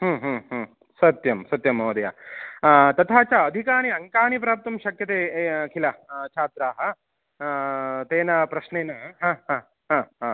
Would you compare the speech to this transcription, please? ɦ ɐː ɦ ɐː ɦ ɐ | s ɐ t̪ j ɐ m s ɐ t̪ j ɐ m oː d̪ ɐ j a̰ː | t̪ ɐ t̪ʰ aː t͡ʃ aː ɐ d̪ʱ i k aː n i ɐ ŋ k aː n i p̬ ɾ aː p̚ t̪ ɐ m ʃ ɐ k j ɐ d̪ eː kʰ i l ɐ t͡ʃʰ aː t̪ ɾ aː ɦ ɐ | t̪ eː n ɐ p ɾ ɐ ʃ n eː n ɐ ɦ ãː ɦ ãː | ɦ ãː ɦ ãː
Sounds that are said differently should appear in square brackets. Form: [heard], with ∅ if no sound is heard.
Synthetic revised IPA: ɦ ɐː ɦ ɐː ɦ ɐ | s ɐ t̪ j ɐ m s ɐ t̪ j ɐ m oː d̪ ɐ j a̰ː | t̪ ɐ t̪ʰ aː t͡ʃ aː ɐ d̪ʱ i k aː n i ɐ ŋ k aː n i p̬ ɾ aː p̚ t̪ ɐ m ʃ ɐ k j ɐ [t̪] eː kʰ i l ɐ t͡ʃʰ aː t̪ ɾ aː ɦ ɐ | t̪ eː n ɐ p ɾ ɐ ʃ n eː n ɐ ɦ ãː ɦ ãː | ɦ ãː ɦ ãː